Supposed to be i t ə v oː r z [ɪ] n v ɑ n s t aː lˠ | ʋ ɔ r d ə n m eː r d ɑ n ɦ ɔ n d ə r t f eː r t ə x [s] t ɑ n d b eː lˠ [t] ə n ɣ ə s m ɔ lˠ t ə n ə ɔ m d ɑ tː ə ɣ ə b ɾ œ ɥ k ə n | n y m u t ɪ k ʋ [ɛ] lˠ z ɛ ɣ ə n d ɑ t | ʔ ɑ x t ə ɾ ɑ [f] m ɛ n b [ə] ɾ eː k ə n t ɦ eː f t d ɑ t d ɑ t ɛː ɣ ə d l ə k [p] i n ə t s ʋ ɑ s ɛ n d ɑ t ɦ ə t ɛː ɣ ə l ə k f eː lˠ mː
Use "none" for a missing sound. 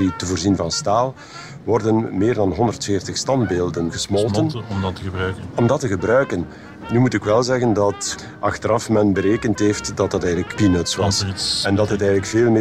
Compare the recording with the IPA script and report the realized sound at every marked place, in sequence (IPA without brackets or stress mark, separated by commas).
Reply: i, s, d, ɛ, f, ə, p